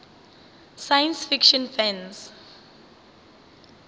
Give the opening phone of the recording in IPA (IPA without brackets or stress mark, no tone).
s